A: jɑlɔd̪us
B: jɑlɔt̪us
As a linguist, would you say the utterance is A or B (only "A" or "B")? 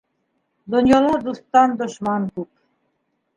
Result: A